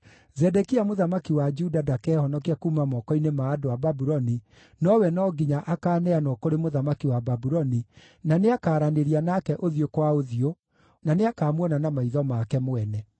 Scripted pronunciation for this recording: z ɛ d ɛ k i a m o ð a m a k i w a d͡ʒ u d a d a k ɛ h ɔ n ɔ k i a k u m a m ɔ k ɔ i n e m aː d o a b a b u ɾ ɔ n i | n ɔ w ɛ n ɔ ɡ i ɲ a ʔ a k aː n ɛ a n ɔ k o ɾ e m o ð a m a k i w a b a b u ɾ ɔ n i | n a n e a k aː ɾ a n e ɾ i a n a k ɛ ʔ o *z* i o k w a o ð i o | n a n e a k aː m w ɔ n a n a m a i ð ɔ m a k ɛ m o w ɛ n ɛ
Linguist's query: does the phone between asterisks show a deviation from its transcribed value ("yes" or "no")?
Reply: yes